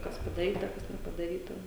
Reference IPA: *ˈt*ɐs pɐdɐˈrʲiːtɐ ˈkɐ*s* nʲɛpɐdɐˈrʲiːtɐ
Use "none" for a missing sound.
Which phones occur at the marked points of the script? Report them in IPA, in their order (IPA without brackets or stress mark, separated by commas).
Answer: k, s